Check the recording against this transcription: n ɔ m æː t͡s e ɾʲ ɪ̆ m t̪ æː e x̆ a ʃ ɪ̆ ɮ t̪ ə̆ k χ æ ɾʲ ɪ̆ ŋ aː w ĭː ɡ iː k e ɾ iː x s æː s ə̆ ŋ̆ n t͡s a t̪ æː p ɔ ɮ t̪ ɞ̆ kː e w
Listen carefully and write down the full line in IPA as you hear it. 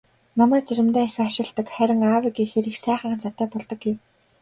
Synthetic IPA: n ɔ m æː t͡s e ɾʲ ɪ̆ m t̪ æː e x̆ a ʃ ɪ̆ ɮ t̪ ə̆ k χ æ ɾʲ ɪ̆ ŋ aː w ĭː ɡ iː x e ɾ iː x s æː χ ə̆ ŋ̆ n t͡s a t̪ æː p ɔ ɮ t̪ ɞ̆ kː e w